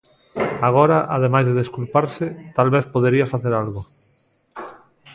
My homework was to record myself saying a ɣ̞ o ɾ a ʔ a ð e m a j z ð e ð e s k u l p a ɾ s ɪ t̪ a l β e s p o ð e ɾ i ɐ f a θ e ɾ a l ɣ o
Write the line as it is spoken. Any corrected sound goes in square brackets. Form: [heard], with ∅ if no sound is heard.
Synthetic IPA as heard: a ɣ̞ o ɾ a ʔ a ð e m a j z ð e ð e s k u l p a ɾ s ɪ t̪ a l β e [θ] p o ð e ɾ i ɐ f a θ e ɾ a l ɣ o

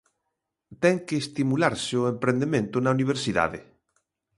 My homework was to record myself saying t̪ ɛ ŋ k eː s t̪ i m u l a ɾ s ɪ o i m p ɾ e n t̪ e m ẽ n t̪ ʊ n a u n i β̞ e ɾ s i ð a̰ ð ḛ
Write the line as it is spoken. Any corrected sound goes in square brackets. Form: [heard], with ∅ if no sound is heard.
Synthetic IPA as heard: t̪ ɛ ŋ k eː s t̪ i m u l a ɾ s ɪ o [e] m p ɾ e n [d̪] e m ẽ n t̪ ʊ n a u n i β̞ e ɾ s i ð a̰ ð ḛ

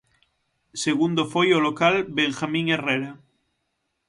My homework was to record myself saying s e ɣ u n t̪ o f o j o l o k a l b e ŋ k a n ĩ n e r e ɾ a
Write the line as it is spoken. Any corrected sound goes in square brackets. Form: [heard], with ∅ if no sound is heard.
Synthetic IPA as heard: s e ɣ u n [d̪] o f o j o l o k a l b e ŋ [x] a [m] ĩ [ŋ] e r e ɾ a

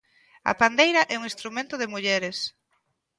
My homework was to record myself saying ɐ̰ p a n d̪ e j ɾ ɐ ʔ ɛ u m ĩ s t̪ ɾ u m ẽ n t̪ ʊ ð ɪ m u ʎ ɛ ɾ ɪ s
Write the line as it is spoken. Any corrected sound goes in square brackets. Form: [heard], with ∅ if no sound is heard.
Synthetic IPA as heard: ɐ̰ p a n d̪ e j ɾ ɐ ʔ ɛ u [ŋ] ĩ s t̪ ɾ u m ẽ n t̪ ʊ ð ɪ m u ʎ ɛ ɾ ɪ s

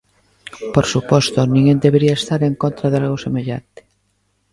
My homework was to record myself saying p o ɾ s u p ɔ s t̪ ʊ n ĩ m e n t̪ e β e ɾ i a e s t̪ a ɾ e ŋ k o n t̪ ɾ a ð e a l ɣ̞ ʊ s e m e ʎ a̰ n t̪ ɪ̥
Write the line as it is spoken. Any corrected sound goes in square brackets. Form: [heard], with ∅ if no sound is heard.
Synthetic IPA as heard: p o ɾ s u p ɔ s t̪ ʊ n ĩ [ŋ] e n [d̪] e β e ɾ i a e s t̪ a ɾ e ŋ k o n t̪ ɾ a ð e a l ɣ̞ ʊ s e m e ʎ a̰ n t̪ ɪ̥

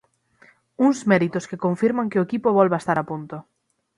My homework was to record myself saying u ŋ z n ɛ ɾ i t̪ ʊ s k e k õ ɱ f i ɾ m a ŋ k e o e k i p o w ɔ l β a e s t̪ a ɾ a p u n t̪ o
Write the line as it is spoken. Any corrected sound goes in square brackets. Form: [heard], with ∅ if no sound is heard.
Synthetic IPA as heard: u ŋ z [m] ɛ ɾ i t̪ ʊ s k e k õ ɱ f i ɾ m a ŋ k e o e k i p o [β] ɔ l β a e s t̪ a ɾ a p u n t̪ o

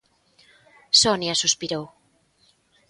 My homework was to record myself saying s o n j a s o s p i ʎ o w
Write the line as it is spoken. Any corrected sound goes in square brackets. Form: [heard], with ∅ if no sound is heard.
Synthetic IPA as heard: s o n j a s [u] s p i [ɾ] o w

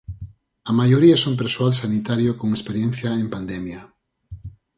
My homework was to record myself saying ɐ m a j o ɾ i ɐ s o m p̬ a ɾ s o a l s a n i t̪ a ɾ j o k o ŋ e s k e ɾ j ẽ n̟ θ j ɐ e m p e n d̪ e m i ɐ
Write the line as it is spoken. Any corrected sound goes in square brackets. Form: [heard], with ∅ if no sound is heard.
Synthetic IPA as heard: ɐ m a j o ɾ i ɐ s o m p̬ [e] ɾ s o a l s a n i t̪ a ɾ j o k o ŋ e s [p] e ɾ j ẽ n̟ θ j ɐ e m p [a] n d̪ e m [j] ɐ

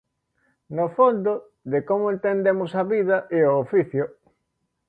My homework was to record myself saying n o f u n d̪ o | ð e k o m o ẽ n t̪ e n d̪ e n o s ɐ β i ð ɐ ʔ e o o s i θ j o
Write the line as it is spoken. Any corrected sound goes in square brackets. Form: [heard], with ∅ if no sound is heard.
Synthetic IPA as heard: n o f [o] n d̪ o | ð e k o m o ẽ n t̪ e n d̪ e [m] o s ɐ β i ð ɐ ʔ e o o [f] i θ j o

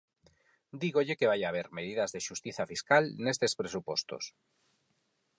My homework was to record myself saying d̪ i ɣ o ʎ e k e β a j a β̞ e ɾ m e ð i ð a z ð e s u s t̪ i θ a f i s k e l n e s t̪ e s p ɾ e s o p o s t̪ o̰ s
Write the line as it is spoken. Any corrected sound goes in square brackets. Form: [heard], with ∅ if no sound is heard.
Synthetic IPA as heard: d̪ i ɣ o ʎ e k e β a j a β̞ e ɾ m e ð i ð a z ð e [ʃ] u s t̪ i θ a f i s k [a] l n e s t̪ e s p ɾ e s [u] p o s t̪ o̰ s

